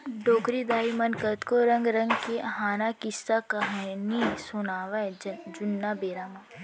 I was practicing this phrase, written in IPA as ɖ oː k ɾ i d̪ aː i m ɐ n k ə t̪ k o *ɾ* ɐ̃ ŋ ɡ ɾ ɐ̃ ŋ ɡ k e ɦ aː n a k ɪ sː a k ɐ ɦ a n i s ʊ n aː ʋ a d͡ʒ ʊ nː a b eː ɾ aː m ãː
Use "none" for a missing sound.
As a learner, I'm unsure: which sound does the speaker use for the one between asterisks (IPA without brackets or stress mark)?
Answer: ɾ